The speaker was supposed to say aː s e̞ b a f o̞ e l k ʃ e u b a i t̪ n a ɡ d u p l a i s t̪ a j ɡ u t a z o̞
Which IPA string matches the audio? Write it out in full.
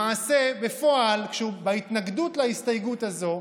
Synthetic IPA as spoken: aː s e̞ b e f o̞ a l k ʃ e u b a i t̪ n a ɡ d u t l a i s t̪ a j ɡ u t a z o̞